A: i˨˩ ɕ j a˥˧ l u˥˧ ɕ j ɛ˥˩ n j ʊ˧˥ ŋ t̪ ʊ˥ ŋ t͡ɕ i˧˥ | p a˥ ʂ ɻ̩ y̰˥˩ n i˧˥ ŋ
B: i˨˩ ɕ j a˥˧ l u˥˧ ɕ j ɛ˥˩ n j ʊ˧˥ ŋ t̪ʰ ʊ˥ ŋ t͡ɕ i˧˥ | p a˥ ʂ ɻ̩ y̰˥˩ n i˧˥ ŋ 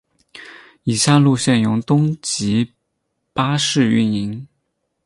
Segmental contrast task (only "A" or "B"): A